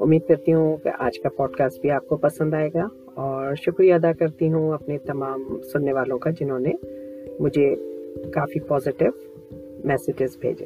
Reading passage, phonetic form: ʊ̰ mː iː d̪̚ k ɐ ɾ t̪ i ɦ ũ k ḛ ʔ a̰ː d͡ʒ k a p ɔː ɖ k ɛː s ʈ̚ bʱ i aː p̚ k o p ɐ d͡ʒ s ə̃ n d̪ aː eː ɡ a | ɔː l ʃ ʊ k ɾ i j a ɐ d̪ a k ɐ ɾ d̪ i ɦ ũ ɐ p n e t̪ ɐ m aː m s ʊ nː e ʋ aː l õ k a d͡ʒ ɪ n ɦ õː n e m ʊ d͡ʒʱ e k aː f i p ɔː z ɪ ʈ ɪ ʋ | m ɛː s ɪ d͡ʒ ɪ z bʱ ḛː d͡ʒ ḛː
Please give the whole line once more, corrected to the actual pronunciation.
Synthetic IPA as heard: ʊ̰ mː iː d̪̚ k ɐ ɾ t̪ i ɦ ũ k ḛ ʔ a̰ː d͡ʒ k a p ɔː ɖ k aː s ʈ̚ bʱ i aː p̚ k o p ɐ s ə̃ n d̪ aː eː ɡ a | ɔː ɾ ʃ ʊ k ɾ i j a ɐ d̪ a k ɐ ɾ t̪ i ɦ ũ ɐ p n e t̪ ɐ m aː m s ʊ nː e ʋ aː l õ k a d͡ʒ ɪ n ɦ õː n e m ʊ d͡ʒʱ e k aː f i p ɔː z ɪ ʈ ɪ ʋ | m ɛː s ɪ d͡ʒ ɪ z bʱ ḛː d͡ʒ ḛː